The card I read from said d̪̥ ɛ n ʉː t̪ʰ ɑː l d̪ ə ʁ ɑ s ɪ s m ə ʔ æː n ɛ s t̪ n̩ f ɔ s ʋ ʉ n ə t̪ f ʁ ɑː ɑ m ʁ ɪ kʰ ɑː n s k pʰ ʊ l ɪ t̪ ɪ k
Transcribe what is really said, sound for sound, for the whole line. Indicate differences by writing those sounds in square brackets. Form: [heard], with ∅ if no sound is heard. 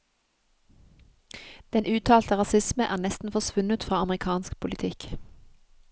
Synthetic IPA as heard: d̪̥ ɛ n ʉː t̪ʰ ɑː l [t̪] ə ʁ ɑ s ɪ s m ə ʔ æː n ɛ s t̪ n̩ f ɔ s ʋ ʉ n ə t̪ f ʁ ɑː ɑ m ʁ ɪ kʰ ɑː n s k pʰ ʊ l ɪ [t̪ʰ] ɪ k

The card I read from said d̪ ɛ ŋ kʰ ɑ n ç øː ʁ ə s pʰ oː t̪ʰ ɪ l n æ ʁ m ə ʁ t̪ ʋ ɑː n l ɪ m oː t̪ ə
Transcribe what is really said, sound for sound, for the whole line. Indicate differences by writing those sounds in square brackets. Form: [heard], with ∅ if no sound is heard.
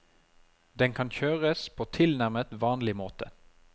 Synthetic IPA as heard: d̪ ɛ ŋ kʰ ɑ n ç øː ʁ ə s pʰ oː t̪ʰ ɪ l n æ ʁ m ə [∅] t̪ ʋ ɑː n l ɪ m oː t̪ ə

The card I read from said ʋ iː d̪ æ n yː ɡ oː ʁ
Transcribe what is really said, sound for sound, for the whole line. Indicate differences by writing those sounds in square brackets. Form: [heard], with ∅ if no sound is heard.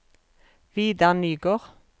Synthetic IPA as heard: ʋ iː d̪ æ n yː ɡ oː ʁ

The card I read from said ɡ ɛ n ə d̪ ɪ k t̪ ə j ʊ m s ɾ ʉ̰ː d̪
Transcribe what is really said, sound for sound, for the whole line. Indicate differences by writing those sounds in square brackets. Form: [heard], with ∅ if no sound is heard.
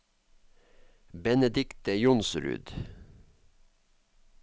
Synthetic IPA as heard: [b] ɛ n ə d̪ ɪ k t̪ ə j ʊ [n] s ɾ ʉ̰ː d̪

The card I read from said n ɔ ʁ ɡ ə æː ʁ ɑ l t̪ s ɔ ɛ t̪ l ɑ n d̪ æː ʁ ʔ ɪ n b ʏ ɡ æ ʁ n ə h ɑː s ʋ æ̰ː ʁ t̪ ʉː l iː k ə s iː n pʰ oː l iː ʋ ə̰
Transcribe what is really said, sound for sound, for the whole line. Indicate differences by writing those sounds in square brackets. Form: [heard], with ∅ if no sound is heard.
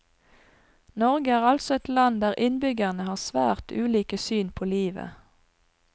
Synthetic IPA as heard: n ɔ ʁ ɡ ə æː ʁ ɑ l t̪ s ɔ ɛ t̪ l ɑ n d̪ æː ʁ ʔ ɪ n b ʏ ɡ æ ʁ n ə h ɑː s ʋ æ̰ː ʁ t̪ ʉː l iː k ə s [yː] n pʰ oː l iː ʋ ə̰

